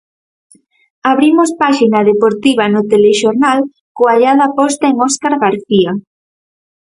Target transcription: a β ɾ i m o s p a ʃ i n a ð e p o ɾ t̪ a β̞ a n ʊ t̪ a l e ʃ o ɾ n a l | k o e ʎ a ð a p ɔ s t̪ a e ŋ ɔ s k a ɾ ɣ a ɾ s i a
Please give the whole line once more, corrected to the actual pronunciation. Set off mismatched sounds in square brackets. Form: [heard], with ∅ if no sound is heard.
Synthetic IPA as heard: a β ɾ i m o s p a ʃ i n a ð e p o ɾ t̪ [i] β̞ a n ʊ t̪ [e] l e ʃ o ɾ n a l | k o [a] ʎ a ð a p ɔ s t̪ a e ŋ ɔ s k a ɾ ɣ a ɾ [θ] i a